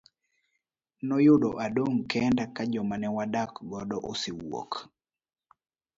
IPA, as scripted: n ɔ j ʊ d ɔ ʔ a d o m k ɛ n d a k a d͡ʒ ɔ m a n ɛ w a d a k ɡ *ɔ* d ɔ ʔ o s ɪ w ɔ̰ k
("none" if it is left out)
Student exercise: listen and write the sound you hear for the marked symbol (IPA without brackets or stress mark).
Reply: ɔ